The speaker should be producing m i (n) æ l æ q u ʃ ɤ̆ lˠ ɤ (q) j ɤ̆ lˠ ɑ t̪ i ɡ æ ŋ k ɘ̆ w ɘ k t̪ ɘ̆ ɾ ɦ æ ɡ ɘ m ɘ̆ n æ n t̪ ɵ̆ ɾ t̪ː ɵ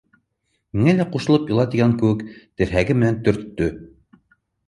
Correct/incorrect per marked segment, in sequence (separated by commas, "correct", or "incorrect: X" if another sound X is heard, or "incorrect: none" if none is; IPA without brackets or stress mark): incorrect: ŋ, incorrect: p